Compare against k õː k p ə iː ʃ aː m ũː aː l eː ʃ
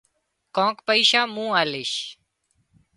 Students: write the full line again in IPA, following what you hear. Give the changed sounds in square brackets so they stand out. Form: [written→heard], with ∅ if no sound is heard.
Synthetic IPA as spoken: k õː k p ə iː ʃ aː m ũː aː l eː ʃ